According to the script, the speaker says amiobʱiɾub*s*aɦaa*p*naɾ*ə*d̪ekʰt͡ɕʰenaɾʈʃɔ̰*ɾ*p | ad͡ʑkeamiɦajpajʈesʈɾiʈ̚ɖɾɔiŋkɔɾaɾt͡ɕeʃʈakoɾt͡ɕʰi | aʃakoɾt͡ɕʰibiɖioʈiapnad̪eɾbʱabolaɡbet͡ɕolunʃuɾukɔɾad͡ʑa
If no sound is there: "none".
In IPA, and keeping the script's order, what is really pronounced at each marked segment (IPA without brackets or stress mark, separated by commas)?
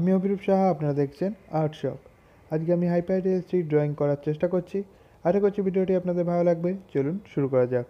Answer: ʃ, p, a, none